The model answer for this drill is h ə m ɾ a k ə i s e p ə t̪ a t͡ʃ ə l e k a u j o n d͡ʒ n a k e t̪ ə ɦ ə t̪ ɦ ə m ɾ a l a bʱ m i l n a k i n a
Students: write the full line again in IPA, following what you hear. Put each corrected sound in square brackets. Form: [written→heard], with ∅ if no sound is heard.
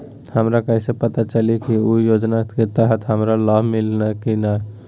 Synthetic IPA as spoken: h ə m ɾ a k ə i s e p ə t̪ a t͡ʃ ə l [e→i] k [a→i] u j o [n→∅] d͡ʒ n a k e t̪ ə ɦ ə t̪ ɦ ə m ɾ a l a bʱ m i l n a k i n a